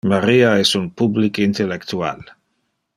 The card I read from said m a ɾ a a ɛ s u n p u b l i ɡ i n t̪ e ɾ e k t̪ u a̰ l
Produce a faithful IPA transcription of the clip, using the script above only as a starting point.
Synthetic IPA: m a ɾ i a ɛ s u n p u b l i k i n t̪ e l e k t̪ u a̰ l